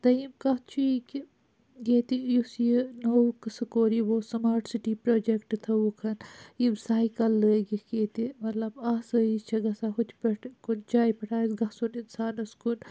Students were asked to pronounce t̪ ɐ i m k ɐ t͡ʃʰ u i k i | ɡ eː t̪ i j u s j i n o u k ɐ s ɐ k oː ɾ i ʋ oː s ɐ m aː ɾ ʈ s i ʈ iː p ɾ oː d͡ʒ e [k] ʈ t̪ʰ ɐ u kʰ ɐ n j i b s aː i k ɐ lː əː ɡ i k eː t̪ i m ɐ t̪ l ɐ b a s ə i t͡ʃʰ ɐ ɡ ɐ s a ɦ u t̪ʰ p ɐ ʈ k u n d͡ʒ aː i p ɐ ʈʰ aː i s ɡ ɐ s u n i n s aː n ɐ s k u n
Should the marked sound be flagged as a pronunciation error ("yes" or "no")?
no